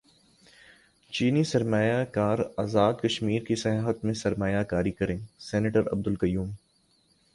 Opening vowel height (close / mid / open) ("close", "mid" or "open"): close